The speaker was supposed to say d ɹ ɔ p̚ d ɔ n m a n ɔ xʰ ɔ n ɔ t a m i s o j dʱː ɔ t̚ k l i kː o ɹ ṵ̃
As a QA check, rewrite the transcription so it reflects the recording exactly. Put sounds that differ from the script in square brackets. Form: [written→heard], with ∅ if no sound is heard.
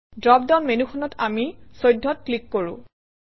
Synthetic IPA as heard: d ɹ ɔ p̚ d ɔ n m [a→e] n [ɔ→u] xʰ ɔ n ɔ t a m i s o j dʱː ɔ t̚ k l i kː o ɹ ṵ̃